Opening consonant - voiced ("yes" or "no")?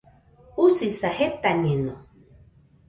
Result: no